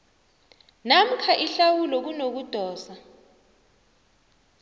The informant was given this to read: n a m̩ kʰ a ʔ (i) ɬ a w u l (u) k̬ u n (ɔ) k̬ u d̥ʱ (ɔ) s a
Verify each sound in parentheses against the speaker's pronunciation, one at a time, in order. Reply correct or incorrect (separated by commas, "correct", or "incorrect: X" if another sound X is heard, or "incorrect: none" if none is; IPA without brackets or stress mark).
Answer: correct, incorrect: ɔ, incorrect: o, incorrect: ɔː